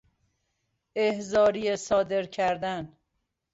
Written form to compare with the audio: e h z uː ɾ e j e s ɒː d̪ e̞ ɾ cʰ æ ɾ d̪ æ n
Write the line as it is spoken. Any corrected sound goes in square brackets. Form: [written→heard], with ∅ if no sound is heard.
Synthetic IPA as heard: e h z [uː→ɒː] ɾ [e→i] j e s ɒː d̪ e̞ ɾ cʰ æ ɾ d̪ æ n